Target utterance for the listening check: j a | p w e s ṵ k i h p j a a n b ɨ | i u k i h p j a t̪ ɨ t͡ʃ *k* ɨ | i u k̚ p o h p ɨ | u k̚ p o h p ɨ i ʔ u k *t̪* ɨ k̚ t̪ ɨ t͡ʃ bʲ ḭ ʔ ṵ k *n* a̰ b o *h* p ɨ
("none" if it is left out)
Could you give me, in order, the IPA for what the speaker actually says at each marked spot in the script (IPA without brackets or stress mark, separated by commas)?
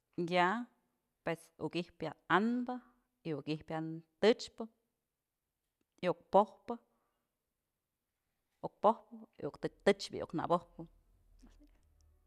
p, t̪, n, h